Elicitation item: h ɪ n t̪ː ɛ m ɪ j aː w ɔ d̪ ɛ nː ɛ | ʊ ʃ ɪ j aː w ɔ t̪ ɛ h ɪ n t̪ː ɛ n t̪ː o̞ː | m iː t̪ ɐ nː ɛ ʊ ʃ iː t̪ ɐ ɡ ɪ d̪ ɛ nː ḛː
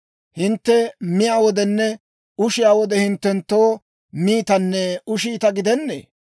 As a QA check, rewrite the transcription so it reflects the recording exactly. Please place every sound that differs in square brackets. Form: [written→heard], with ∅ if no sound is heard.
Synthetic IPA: h ɪ n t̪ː ɛ m ɪ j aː w ɔ d̪ ɛ nː ɛ | ʊ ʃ ɪ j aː w ɔ [t̪→d̪] ɛ h ɪ n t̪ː ɛ n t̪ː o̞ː | m iː t̪ ɐ nː ɛ ʊ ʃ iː t̪ ɐ ɡ ɪ d̪ ɛ nː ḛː

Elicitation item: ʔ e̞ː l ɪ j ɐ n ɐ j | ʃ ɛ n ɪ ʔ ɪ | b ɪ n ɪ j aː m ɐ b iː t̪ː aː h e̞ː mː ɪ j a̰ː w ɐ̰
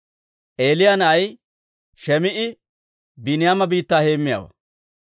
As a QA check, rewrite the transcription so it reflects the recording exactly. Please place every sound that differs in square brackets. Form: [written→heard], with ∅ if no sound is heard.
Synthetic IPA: ʔ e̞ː l ɪ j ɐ n ɐ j | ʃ ɛ [n→m] ɪ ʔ ɪ | b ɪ n ɪ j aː m ɐ b iː t̪ː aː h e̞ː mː ɪ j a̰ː w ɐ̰

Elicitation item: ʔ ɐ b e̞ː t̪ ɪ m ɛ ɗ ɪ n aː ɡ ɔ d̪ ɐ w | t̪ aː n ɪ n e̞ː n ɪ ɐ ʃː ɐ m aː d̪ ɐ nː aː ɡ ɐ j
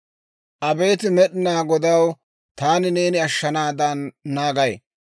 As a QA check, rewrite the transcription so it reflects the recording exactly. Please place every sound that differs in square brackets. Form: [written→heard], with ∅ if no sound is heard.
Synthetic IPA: ʔ ɐ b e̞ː t̪ ɪ m ɛ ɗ ɪ n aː ɡ ɔ d̪ ɐ w | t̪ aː n ɪ n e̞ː n ɪ ɐ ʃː ɐ [m→n] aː d̪ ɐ nː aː ɡ ɐ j

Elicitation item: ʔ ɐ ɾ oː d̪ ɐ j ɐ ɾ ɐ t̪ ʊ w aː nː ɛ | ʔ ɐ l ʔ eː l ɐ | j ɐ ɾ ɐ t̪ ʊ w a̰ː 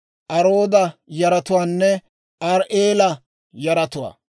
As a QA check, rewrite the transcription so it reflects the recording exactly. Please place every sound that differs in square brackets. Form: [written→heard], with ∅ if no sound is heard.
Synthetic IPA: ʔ ɐ ɾ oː d̪ ɐ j ɐ ɾ ɐ t̪ ʊ w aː nː ɛ | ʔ ɐ [l→ɾ] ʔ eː l ɐ | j ɐ ɾ ɐ t̪ ʊ w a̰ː

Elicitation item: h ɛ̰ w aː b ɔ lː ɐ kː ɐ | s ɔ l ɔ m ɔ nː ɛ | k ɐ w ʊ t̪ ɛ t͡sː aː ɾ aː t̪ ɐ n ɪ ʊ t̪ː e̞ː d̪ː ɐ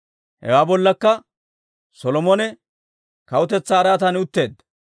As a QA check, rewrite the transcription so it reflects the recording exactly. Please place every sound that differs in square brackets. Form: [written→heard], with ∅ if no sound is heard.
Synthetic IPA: h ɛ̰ w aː b ɔ lː ɐ kː ɐ | s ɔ l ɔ m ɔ [nː→n] ɛ | k ɐ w ʊ t̪ ɛ t͡sː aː ɾ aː t̪ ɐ n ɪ ʊ t̪ː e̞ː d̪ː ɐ

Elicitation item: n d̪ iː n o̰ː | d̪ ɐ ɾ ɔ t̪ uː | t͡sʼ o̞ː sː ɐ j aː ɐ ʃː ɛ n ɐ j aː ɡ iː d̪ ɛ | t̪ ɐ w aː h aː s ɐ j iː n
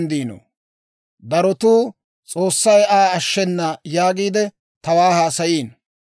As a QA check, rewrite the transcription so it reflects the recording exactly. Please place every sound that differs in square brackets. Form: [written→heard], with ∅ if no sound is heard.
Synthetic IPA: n d̪ iː n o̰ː | d̪ ɐ ɾ ɔ t̪ uː | t͡sʼ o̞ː sː ɐ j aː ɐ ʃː ɛ [n→nː] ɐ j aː ɡ iː d̪ ɛ | t̪ ɐ w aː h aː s ɐ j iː n

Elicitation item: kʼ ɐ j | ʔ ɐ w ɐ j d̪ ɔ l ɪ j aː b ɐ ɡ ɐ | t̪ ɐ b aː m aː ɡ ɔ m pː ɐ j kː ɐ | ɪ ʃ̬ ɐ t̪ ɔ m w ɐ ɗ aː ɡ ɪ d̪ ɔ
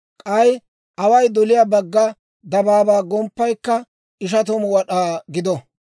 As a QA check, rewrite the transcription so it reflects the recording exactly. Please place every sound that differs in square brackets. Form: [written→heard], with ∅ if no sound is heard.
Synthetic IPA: kʼ ɐ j | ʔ ɐ w ɐ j d̪ ɔ l ɪ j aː b ɐ [ɡ→ɡː] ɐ | [t̪→d̪] ɐ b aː [m→b] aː ɡ ɔ m pː ɐ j kː ɐ | ɪ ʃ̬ ɐ t̪ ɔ m w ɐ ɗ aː ɡ ɪ d̪ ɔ

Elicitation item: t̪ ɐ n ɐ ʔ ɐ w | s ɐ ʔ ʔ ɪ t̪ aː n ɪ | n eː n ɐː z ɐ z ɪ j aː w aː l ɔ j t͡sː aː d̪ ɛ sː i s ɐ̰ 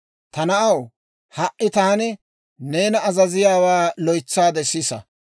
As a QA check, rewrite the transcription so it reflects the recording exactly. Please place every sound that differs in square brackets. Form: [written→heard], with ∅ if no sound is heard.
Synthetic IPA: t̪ ɐ n ɐ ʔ ɐ w | [s→h] ɐ ʔ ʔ ɪ t̪ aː n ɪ | n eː n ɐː z ɐ z ɪ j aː w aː l ɔ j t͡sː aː d̪ ɛ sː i s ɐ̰

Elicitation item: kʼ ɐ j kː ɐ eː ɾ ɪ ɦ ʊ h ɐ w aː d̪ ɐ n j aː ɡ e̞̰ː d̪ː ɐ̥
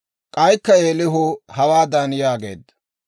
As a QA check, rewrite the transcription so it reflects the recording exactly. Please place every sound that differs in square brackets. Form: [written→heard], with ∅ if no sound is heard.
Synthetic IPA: kʼ ɐ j kː ɐ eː [ɾ→l] ɪ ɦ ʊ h ɐ w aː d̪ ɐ n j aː ɡ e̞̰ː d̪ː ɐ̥

